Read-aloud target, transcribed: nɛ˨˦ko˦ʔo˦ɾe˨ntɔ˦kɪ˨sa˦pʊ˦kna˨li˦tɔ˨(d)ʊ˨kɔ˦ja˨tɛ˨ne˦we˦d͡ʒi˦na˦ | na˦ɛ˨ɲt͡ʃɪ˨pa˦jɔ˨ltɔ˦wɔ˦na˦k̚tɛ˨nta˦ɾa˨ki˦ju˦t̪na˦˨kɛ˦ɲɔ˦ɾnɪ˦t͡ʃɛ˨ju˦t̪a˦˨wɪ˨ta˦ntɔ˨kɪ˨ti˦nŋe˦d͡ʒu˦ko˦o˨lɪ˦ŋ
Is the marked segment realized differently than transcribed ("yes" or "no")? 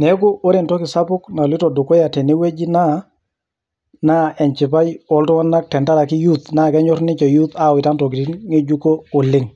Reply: no